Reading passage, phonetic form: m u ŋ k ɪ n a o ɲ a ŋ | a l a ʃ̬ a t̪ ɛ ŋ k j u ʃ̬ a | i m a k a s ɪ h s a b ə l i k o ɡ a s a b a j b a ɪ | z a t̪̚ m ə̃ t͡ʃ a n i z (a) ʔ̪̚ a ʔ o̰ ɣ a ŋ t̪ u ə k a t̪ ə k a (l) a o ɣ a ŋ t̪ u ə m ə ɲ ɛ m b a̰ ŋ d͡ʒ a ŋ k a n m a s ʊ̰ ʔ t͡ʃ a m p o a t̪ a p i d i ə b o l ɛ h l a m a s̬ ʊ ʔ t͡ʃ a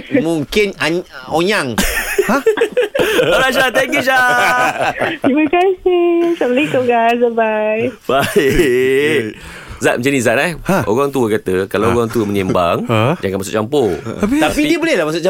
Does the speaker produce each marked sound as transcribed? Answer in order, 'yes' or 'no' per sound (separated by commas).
yes, yes